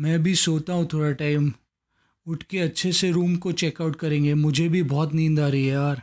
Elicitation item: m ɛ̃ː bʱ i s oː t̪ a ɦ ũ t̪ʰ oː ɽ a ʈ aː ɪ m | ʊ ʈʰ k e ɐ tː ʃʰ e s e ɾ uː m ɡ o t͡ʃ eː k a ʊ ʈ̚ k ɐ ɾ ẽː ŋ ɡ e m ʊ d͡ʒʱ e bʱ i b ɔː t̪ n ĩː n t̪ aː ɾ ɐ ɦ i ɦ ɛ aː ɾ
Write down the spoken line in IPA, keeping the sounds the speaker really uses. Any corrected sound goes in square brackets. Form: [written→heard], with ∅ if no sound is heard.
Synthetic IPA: m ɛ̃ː bʱ i s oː t̪ a ɦ ũ t̪ʰ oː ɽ a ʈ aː ɪ m | ʊ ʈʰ k e ɐ tː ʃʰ e s e ɾ uː m [ɡ→k] o t͡ʃ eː k a ʊ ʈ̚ k ɐ ɾ ẽː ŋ ɡ e m ʊ d͡ʒʱ e bʱ i b ɔː t̪ n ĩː n [t̪→d̪] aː ɾ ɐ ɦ i ɦ ɛ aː ɾ